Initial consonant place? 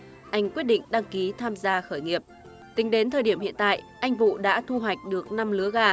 glottal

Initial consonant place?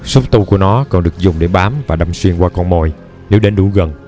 alveolar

